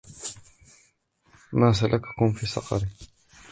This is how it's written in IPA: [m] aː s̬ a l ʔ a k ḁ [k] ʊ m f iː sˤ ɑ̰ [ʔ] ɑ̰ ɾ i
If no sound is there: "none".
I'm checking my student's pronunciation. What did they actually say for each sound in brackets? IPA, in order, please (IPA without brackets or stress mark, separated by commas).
m, k, q